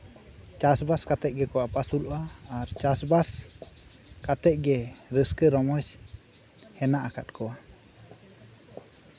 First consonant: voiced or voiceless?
voiceless